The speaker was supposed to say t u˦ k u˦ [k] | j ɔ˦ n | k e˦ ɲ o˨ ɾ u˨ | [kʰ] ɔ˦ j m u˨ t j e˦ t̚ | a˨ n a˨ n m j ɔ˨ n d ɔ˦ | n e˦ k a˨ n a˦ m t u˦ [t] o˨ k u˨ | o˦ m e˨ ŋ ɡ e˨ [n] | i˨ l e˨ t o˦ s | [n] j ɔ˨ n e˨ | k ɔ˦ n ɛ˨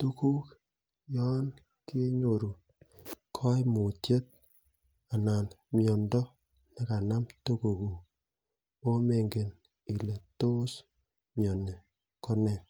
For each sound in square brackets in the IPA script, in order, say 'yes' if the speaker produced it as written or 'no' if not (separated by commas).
yes, yes, no, yes, no